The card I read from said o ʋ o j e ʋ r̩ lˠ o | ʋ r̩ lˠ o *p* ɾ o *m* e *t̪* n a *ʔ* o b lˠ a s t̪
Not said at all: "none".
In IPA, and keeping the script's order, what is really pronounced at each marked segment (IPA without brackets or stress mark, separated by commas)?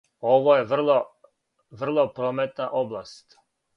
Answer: p, m, t̪, ʔ